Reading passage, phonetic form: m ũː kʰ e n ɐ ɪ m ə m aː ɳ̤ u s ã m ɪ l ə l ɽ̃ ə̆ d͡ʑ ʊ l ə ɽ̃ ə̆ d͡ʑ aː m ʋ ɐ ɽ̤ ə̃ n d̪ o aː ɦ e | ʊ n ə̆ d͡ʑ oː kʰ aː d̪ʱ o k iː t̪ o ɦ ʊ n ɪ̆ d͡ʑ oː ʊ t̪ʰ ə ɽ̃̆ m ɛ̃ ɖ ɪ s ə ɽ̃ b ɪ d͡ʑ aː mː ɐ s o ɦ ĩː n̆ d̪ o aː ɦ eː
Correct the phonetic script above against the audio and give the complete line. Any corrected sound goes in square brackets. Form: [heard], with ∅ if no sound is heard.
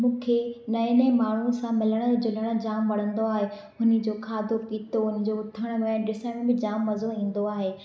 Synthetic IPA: m ũː kʰ e n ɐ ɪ [n] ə m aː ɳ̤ u s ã m ɪ l ə [∅] ɽ̃ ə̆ d͡ʑ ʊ l ə ɽ̃ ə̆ d͡ʑ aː m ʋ ɐ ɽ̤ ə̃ n d̪ o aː ɦ e | ʊ n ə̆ d͡ʑ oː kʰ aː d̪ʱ o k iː t̪ o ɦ ʊ n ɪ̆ d͡ʑ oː ʊ t̪ʰ ə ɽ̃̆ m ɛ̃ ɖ ɪ s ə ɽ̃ b ɪ d͡ʑ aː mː ɐ [z] o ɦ ĩː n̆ d̪ o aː ɦ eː